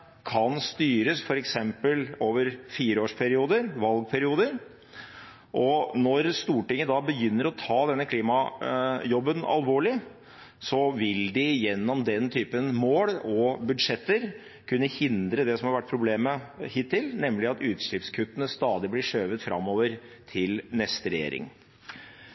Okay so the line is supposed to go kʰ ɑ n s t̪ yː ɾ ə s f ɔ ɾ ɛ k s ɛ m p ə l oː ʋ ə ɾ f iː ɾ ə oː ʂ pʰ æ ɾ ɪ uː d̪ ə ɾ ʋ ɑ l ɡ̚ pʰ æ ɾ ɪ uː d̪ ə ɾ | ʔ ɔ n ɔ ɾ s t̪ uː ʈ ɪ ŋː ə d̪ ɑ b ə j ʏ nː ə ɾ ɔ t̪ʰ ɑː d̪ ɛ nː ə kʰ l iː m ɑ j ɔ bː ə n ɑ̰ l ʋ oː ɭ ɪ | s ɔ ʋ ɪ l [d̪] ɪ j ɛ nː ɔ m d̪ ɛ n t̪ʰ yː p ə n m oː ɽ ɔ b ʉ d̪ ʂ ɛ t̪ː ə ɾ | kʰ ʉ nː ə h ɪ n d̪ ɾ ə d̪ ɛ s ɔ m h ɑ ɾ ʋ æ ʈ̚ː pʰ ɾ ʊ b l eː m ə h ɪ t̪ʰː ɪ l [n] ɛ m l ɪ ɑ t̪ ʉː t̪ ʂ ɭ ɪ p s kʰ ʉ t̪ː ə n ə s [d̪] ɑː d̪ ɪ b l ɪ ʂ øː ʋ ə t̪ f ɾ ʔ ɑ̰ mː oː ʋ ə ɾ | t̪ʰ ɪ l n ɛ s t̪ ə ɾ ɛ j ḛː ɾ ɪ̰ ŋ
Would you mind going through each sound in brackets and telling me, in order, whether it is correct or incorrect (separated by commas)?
correct, correct, incorrect